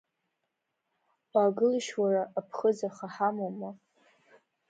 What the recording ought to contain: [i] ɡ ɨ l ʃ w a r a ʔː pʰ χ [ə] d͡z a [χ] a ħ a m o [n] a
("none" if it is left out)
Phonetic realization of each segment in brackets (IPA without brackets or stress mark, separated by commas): a, ə, χ, m